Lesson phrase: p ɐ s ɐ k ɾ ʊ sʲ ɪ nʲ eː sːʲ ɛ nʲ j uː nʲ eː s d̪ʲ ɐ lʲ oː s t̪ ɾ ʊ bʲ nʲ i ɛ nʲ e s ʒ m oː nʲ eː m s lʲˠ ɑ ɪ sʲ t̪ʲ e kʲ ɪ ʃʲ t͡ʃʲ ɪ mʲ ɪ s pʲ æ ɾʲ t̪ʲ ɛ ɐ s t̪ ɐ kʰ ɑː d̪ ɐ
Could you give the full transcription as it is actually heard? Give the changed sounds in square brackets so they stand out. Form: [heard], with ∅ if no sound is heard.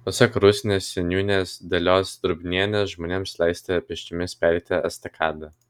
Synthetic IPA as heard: p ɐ s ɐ k ɾ ʊ sʲ ɪ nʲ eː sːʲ ɛ nʲ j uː nʲ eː s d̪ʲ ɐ lʲ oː s [d̪] ɾ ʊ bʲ nʲ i ɛ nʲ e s ʒ m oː nʲ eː m s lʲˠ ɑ ɪ sʲ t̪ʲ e [pʲ] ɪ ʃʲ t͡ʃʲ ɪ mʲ ɪ s pʲ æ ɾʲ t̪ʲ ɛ ɐ s t̪ ɐ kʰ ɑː d̪ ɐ